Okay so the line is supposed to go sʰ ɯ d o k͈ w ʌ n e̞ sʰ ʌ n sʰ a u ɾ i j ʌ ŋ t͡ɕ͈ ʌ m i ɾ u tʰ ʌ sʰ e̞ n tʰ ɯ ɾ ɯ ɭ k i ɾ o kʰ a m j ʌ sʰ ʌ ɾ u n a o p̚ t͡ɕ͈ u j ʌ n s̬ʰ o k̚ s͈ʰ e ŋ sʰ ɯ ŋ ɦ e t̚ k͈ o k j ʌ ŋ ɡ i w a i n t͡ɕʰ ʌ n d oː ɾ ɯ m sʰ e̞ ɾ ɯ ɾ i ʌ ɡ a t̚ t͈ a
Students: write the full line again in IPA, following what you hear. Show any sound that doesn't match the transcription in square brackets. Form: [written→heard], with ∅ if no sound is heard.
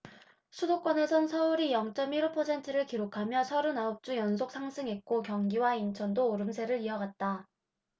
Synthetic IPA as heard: sʰ [ɯ→u] d o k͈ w ʌ n e̞ sʰ ʌ n sʰ [a→ʌ] u ɾ i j ʌ ŋ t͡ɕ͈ ʌ m i ɾ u [tʰ→pʰ] ʌ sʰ e̞ n tʰ ɯ ɾ ɯ ɭ k i ɾ o kʰ a m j ʌ sʰ ʌ ɾ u n a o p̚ t͡ɕ͈ u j ʌ n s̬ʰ o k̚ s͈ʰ [e→a] ŋ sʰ ɯ ŋ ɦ e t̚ k͈ o k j ʌ ŋ ɡ i w a i n t͡ɕʰ ʌ n d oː ɾ ɯ m sʰ e̞ ɾ ɯ ɾ i ʌ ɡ a t̚ t͈ a